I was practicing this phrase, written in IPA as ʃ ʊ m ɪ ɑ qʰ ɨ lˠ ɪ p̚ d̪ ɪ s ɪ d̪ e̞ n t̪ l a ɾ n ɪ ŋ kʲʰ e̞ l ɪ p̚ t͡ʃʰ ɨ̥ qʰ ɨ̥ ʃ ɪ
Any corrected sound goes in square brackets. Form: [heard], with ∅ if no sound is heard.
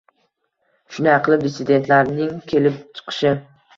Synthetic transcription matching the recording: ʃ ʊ [n] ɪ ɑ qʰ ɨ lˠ ɪ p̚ d̪ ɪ s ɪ d̪ e̞ n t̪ l a ɾ n ɪ ŋ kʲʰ e̞ l ɪ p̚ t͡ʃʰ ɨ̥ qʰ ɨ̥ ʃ ɪ